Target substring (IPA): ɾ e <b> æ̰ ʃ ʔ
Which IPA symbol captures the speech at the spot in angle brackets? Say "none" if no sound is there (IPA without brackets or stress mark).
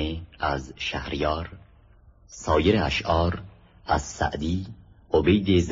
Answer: none